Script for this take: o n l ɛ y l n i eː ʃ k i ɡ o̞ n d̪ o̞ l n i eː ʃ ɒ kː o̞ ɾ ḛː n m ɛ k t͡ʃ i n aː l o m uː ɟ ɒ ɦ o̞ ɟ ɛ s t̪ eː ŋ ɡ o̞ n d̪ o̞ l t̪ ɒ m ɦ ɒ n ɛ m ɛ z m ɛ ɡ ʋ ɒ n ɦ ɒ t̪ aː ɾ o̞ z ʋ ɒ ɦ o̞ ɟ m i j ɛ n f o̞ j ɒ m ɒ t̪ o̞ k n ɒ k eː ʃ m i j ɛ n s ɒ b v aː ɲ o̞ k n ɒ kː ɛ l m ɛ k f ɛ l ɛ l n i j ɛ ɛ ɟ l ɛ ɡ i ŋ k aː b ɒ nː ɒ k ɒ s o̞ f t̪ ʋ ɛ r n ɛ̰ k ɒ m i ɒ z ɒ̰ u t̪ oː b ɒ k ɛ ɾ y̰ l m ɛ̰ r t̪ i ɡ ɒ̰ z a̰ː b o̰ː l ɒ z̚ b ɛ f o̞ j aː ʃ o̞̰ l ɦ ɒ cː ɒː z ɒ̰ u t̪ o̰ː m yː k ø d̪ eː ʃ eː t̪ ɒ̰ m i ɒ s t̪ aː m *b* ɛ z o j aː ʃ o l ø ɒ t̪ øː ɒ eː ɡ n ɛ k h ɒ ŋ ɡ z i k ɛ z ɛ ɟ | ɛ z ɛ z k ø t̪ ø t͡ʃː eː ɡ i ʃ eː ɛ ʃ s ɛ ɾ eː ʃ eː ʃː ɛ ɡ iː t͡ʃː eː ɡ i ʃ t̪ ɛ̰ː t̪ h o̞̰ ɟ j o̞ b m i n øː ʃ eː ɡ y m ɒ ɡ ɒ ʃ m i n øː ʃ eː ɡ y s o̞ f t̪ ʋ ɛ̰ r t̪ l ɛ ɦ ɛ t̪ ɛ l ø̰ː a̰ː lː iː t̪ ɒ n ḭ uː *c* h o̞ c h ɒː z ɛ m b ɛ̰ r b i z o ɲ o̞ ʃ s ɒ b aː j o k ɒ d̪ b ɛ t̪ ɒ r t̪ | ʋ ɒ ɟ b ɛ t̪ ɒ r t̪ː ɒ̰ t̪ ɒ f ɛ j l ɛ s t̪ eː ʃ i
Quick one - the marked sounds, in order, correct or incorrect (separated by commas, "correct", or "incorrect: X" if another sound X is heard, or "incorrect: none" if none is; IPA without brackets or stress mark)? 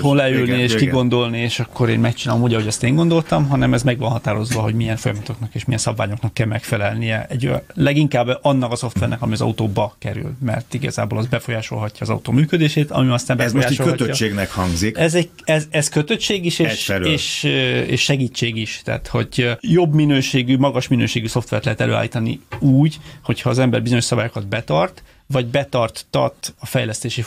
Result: correct, incorrect: ɟ